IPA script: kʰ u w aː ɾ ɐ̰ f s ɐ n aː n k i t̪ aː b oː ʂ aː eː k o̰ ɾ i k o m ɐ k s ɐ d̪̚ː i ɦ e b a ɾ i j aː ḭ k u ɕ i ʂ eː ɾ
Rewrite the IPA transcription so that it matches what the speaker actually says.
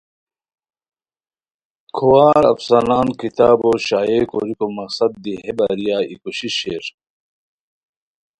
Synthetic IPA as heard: kʰ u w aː ɾ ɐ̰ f s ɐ n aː n k i t̪ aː b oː ɕ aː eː k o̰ ɾ i k o m ɐ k s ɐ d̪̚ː i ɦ e b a ɾ i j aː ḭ k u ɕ i ɕ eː ɾ